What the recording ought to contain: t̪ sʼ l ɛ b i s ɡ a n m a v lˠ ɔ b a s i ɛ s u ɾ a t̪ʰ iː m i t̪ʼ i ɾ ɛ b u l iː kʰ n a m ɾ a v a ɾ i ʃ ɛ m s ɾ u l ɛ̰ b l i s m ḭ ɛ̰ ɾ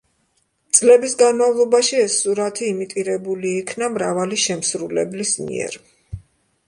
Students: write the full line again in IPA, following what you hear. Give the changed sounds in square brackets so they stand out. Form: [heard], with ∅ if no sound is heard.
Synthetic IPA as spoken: t̪ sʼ l ɛ b i s ɡ a n m a v lˠ ɔ b a [ʃ] i ɛ s u ɾ a t̪ʰ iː m i t̪ʼ i ɾ ɛ b u l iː kʰ n a m ɾ a v a [l] i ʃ ɛ m s ɾ u l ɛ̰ b l i s m ḭ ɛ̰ ɾ